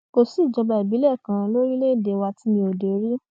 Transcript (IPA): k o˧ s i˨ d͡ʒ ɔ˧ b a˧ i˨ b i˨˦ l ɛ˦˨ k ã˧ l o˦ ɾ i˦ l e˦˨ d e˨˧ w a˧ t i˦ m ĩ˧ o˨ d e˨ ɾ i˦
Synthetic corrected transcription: k o˧ s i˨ d͡ʒ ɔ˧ b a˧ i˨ b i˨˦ l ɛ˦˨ k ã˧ l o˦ ɾ i˦ l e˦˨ d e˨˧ w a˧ t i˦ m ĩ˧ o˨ d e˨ ɾ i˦

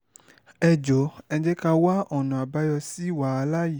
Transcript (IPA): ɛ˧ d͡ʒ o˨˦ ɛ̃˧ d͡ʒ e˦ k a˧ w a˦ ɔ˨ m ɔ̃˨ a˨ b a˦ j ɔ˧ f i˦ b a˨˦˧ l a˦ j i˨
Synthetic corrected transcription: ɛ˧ d͡ʒ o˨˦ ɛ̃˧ d͡ʒ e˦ k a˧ w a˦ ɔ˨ n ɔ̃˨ a˨ b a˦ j ɔ˧ s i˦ w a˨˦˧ l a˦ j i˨

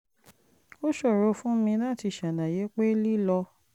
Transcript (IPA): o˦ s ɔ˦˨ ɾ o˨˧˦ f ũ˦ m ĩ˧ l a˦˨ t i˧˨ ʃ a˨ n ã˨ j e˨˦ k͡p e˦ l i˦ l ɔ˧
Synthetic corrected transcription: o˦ ʃ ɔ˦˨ ɾ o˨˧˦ f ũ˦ m ĩ˧ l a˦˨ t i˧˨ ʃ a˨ n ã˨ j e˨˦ k͡p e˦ l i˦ l ɔ˧

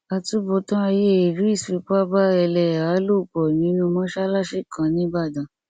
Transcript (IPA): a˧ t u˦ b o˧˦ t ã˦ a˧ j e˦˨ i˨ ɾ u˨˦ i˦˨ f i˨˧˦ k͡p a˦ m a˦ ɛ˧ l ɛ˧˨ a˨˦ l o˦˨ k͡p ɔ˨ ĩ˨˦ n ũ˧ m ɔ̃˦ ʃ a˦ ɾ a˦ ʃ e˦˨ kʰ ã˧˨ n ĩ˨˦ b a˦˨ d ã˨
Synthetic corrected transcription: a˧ t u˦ b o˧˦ t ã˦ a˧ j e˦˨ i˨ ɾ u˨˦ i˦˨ s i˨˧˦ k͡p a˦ b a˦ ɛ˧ l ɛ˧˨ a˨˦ l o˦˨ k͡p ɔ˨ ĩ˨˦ n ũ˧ m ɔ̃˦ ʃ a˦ l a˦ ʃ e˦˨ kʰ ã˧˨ n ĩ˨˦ b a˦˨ d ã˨

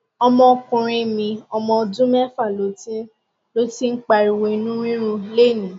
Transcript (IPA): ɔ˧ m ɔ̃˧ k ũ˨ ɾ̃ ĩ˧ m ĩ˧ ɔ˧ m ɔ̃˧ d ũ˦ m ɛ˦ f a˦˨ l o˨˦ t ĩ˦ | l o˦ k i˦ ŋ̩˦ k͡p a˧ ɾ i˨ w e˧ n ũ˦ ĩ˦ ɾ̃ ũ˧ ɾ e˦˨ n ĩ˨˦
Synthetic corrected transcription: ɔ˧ m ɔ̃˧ k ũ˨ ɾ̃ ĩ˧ m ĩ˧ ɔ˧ m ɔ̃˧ d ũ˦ m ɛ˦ f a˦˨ l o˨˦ t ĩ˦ | l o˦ t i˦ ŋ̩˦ k͡p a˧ ɾ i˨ w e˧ n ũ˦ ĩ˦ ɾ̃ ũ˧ l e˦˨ n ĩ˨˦

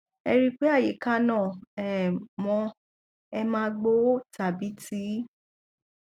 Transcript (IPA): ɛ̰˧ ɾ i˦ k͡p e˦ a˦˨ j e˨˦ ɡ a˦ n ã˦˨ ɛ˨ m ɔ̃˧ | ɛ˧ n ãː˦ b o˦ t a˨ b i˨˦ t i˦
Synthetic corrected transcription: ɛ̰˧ ɾ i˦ k͡p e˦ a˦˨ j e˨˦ k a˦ n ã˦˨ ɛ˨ m ɔ̃˧ | ɛ˧ m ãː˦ ɡ͡b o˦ t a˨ b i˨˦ t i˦

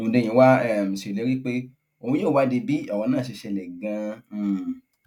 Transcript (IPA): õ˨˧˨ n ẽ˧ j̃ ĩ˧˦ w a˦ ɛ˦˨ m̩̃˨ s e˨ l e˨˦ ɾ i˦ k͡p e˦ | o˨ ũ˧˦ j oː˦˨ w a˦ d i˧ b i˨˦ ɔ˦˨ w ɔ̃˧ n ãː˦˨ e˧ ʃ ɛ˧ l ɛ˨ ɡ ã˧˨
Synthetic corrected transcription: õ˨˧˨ d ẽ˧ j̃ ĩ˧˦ w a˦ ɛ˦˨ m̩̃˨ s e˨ l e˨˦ ɾ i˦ k͡p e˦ | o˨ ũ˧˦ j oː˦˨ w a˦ d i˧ b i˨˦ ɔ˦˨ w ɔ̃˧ n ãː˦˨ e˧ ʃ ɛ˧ l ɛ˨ ɡ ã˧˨

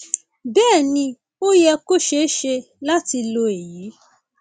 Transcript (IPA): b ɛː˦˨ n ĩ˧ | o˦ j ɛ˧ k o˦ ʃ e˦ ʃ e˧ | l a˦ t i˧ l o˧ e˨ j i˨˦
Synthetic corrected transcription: b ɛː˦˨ n ĩ˧ | o˦ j ɛ˧ k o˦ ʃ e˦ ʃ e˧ | l a˦ t i˧ l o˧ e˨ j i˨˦

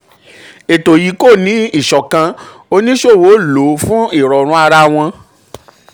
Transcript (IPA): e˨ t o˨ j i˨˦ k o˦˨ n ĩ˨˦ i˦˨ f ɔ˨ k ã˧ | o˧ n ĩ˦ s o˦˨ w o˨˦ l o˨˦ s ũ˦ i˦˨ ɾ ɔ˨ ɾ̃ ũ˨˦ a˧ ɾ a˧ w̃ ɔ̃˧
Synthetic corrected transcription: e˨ t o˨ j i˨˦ k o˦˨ n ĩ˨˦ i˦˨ ʃ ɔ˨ k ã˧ | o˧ n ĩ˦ ʃ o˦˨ w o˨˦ l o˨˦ f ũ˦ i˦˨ ɾ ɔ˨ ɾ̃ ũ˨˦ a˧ ɾ a˧ w̃ ɔ̃˧

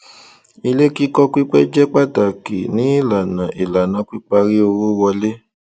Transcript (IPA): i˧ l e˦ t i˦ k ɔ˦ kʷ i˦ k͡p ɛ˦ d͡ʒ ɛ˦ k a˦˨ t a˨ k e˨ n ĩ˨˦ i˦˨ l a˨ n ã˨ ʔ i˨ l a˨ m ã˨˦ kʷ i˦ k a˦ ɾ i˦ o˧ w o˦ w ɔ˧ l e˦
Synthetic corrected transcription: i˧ l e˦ k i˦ k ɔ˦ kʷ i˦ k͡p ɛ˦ d͡ʒ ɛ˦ k͡p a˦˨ t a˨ k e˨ n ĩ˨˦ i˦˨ l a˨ n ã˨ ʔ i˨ l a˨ n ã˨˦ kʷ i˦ k͡p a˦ ɾ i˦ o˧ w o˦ w ɔ˧ l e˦

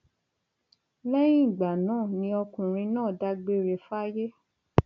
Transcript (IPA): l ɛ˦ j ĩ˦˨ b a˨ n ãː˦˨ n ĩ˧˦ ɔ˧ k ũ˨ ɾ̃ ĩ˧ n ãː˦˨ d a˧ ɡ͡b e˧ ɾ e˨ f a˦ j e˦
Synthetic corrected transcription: l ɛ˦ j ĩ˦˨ ɡ͡b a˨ n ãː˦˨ n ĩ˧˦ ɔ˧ k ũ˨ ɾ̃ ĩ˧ n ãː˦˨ d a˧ ɡ͡b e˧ ɾ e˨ f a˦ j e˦

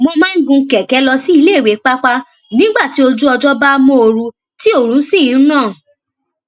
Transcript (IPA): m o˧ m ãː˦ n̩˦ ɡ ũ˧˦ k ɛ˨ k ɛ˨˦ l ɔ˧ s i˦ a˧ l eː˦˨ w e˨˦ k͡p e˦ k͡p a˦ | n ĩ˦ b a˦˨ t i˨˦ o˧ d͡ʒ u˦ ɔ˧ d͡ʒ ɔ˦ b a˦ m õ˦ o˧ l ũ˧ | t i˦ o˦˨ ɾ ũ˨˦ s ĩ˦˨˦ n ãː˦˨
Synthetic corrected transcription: m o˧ m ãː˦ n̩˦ ɡ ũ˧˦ k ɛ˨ k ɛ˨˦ l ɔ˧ s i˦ i˧ l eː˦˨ w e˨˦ k͡p a˦ k͡p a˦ | n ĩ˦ ɡ͡b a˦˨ t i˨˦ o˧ d͡ʒ u˦ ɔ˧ d͡ʒ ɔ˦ b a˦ m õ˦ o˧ ɾ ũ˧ | t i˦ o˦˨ ɾ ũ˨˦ s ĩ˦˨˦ n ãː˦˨

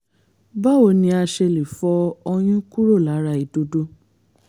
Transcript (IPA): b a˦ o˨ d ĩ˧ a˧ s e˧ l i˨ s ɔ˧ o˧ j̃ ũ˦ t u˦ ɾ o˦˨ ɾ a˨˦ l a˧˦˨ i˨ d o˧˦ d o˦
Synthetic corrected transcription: b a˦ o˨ n ĩ˧ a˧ ʃ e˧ l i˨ f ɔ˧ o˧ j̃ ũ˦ k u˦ ɾ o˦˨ l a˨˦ ɾ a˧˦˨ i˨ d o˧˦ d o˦

